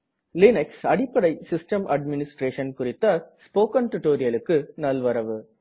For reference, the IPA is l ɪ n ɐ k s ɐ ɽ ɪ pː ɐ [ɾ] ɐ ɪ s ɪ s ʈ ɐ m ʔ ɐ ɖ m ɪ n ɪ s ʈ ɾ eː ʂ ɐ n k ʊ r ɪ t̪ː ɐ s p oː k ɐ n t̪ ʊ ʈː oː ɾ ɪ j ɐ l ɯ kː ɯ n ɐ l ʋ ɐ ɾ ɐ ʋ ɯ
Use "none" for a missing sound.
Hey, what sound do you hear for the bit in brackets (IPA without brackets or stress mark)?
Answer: ɽ